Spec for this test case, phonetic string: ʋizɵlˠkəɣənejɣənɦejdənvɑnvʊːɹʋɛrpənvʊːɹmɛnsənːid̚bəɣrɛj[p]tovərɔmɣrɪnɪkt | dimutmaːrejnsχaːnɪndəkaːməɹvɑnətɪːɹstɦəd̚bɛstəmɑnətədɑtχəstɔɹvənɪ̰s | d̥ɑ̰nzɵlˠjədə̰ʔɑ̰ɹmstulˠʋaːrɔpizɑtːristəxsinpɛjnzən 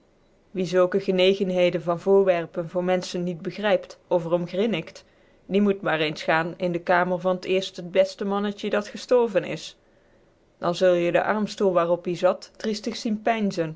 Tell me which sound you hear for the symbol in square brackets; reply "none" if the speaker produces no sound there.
p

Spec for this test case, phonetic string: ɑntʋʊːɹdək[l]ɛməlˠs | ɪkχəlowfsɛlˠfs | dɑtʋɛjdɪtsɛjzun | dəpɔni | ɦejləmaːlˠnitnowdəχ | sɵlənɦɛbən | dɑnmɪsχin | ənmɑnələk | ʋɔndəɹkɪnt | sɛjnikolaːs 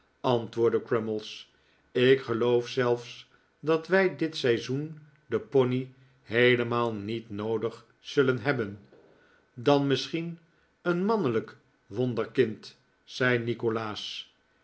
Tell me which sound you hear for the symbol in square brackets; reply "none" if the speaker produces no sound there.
ɹ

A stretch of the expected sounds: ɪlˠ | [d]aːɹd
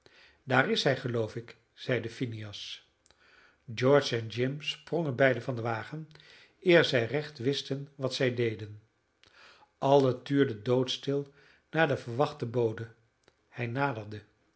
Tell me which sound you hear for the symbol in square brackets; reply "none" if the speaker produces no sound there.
n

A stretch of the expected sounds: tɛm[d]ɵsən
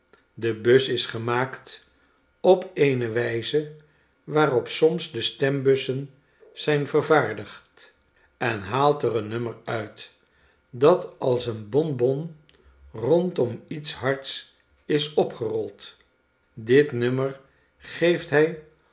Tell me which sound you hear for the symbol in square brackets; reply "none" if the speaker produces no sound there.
b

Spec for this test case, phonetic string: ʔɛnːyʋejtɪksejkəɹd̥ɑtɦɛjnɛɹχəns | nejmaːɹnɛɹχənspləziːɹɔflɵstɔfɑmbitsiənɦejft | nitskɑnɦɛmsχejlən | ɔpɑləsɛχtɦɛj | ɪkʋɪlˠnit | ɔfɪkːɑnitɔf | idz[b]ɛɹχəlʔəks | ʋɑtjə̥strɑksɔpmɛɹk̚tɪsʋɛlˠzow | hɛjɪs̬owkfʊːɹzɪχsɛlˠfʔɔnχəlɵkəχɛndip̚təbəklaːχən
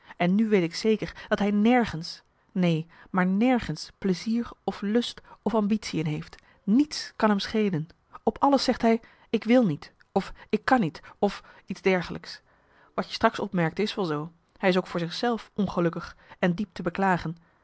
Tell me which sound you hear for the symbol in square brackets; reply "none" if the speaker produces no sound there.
d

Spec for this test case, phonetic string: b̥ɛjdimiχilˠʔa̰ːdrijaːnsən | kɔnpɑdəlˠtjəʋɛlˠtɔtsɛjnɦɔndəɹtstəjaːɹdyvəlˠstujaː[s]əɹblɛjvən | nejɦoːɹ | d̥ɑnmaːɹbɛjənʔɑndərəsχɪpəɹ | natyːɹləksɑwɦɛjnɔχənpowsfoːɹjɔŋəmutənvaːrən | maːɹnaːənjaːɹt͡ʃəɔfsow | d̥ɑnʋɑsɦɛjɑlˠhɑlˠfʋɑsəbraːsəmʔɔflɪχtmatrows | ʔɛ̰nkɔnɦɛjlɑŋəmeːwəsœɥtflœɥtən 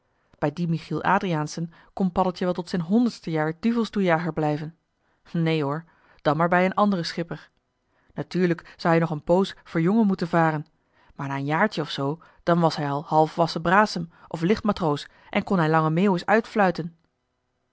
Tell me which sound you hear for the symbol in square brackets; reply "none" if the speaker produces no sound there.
χ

